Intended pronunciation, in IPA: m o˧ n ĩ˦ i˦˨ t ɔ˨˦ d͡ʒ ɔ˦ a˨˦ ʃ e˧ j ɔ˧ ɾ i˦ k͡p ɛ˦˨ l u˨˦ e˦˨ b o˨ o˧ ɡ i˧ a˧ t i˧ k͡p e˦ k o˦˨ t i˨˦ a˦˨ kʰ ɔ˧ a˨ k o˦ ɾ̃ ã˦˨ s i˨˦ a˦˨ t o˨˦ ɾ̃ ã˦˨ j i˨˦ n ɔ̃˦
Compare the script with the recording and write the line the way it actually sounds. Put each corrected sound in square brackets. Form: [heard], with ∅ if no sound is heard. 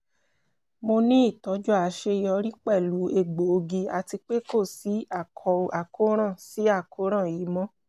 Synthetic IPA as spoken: m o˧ n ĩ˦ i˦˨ t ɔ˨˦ d͡ʒ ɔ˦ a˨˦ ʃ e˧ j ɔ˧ ɾ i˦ k͡p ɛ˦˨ l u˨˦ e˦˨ [ɡ͡b] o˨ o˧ ɡ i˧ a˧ t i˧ k͡p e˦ k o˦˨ [s] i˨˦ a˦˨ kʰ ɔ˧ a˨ k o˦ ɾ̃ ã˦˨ s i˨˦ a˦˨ [k] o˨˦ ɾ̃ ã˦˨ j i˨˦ [m] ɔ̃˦